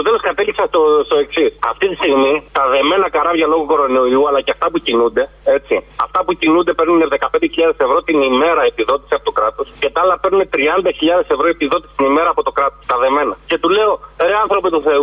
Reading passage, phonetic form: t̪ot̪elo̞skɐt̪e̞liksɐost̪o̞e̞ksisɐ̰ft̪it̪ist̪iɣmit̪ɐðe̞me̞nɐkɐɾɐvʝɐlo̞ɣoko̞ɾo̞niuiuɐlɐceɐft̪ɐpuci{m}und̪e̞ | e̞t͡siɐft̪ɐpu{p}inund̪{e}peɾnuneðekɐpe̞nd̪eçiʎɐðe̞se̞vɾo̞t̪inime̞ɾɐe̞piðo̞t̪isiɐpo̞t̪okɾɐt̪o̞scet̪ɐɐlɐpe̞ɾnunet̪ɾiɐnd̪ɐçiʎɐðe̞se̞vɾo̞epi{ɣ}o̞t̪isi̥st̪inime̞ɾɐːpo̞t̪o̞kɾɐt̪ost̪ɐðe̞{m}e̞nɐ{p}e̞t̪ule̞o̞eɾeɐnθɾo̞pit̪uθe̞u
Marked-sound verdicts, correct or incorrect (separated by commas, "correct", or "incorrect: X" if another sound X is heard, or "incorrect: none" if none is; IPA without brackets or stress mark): incorrect: n, incorrect: c, correct, incorrect: ð, correct, incorrect: c